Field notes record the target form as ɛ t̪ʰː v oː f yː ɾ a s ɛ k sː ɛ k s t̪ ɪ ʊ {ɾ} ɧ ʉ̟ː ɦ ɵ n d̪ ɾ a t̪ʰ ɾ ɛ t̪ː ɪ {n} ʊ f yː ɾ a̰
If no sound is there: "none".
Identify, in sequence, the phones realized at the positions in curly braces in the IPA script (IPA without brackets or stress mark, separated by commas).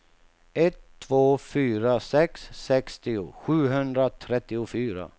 none, none